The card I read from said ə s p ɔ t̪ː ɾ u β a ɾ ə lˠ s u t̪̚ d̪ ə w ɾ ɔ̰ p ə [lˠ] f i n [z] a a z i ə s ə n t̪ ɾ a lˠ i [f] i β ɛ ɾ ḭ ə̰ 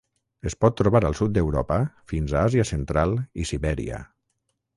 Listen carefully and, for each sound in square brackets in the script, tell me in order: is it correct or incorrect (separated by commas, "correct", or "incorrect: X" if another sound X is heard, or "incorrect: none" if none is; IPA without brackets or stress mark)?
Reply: incorrect: none, correct, incorrect: s